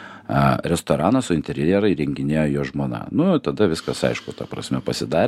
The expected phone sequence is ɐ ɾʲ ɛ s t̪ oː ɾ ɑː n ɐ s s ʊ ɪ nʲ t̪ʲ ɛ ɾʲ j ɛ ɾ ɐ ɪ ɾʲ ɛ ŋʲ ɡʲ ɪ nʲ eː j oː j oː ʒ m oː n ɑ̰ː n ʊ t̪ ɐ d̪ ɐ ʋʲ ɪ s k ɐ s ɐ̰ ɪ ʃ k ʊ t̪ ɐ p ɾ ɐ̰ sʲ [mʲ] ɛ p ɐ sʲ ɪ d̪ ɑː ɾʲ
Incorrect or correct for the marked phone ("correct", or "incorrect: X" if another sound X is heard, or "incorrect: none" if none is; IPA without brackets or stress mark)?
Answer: correct